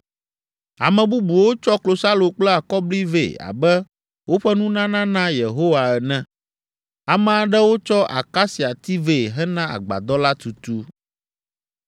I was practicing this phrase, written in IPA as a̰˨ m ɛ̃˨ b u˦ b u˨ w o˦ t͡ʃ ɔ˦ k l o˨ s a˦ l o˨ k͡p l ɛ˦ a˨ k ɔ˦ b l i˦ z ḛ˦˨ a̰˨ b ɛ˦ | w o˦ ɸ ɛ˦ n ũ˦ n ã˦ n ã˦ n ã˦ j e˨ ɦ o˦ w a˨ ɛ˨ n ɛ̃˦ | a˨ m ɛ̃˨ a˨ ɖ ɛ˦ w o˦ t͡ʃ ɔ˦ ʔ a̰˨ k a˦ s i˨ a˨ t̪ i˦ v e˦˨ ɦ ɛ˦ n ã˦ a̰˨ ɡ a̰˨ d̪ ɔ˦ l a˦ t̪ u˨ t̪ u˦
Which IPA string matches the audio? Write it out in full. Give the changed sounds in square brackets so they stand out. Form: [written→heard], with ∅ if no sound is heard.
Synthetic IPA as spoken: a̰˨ m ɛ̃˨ b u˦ b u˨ w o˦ t͡ʃ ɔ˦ k l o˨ s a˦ l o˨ k͡p l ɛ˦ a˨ k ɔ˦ b l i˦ [z→v] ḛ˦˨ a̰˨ b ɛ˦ | w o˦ ɸ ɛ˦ n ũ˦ n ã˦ n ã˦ n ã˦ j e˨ ɦ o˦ w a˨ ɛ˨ n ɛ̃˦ | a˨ m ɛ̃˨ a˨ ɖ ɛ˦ w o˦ t͡ʃ ɔ˦ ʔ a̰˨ k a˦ s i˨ a˨ t̪ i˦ v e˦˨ ɦ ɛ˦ n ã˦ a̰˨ [ɡ→ɡ͡b] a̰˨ d̪ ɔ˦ l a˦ t̪ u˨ t̪ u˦